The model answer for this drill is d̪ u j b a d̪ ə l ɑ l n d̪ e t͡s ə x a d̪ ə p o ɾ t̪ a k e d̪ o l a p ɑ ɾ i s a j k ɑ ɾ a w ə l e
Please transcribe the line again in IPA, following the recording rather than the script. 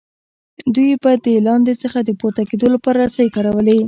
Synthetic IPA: d̪ u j b a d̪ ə l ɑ n d̪ e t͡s ə x a d̪ ə p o ɾ t̪ a k e d̪ o l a p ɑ ɾ a s a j k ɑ ɾ a w ə l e